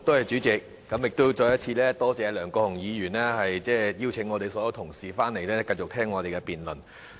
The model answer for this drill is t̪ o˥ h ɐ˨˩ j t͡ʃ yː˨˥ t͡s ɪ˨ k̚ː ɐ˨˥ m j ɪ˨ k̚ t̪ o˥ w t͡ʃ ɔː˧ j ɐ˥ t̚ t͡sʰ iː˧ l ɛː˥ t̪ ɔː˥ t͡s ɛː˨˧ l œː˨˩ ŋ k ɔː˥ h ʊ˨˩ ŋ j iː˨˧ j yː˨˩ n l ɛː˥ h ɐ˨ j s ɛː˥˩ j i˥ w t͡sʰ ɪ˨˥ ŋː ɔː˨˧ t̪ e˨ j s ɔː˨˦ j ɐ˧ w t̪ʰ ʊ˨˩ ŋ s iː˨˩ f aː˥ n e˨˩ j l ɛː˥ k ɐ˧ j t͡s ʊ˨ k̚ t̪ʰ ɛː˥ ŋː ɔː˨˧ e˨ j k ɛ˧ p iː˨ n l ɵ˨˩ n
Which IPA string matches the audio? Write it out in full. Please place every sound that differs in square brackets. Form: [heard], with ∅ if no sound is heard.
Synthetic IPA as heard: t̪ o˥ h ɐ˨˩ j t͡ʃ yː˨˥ t͡s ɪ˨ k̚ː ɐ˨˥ m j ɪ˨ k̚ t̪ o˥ w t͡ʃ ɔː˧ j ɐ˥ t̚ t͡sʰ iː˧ l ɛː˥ t̪ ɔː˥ t͡s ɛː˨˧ l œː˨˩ ŋ k [ɔː˧] h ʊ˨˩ ŋ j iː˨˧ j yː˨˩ n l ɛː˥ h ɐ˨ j [t͡s] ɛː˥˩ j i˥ w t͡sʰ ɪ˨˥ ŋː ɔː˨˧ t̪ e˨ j s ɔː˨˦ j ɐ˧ w t̪ʰ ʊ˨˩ ŋ s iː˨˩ f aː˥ n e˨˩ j l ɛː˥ k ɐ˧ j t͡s ʊ˨ k̚ t̪ʰ ɛː˥ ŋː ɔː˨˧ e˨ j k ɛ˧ p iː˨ n l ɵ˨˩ n